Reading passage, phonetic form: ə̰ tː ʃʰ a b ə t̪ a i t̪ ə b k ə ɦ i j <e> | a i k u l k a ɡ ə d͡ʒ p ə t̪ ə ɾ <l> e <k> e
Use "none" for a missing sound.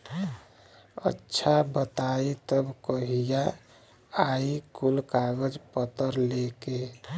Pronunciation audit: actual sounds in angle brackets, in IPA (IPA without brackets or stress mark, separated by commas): a, l, k